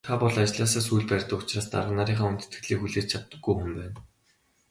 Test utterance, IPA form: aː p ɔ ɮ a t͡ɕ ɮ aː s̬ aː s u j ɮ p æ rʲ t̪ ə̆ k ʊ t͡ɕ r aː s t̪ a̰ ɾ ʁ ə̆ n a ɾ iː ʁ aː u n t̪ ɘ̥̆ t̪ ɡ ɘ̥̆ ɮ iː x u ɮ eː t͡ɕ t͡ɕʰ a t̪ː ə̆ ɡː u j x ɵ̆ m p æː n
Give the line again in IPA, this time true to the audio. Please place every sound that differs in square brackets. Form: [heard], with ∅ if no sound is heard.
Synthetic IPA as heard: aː p ɔ ɮ a t͡ɕ ɮ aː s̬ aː s u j ɮ p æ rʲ t̪ ə̆ k ʊ t͡ɕ r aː s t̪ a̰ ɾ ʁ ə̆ n a ɾ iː [χ] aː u n t̪ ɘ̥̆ t̪ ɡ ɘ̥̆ ɮ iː x u ɮ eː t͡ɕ t͡ɕʰ a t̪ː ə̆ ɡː u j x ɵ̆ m p æː n